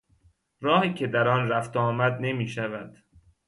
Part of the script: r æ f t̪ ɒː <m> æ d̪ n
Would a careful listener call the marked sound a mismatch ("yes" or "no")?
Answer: no